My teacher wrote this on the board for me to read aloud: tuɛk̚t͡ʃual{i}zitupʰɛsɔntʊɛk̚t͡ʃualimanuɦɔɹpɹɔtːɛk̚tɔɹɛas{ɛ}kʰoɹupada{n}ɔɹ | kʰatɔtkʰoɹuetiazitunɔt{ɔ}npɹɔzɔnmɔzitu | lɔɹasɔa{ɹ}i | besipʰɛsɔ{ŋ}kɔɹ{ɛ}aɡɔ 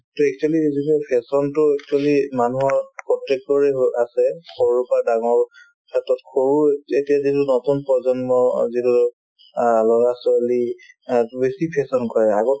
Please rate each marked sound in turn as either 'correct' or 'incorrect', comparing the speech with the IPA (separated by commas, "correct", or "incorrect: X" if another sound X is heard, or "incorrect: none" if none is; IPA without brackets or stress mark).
correct, correct, incorrect: ŋ, incorrect: u, incorrect: l, incorrect: n, correct